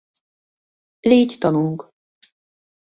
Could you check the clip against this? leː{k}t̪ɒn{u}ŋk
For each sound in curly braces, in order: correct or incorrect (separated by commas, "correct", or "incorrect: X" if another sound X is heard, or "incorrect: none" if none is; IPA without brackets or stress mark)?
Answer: incorrect: c, correct